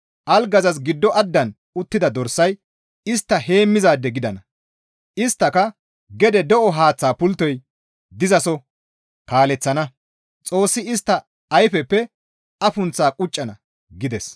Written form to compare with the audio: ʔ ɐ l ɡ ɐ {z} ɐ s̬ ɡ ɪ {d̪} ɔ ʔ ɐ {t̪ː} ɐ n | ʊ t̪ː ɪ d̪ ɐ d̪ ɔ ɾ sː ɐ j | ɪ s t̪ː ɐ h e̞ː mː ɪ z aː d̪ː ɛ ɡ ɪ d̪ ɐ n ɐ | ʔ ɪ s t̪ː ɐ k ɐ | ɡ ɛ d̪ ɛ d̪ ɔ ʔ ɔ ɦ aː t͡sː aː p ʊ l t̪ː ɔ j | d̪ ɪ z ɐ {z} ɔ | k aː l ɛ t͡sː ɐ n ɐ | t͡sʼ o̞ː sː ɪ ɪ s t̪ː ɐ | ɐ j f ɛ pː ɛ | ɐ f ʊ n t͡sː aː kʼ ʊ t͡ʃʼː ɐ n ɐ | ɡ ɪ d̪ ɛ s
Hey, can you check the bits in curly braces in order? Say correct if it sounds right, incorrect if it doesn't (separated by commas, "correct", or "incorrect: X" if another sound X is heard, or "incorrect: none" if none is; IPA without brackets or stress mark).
correct, incorrect: d̪ː, incorrect: d̪ː, incorrect: s